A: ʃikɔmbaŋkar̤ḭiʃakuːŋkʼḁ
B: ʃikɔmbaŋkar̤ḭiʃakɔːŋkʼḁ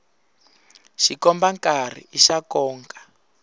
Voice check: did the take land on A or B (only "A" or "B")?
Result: B